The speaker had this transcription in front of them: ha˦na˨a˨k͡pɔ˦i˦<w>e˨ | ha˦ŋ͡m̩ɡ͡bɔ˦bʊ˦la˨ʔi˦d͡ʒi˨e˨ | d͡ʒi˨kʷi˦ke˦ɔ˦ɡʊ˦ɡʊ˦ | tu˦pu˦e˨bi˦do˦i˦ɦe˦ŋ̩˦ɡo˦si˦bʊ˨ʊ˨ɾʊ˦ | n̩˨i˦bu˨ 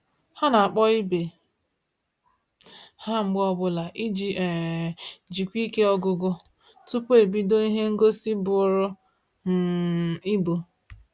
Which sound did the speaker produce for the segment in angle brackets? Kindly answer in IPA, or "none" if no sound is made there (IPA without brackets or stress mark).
b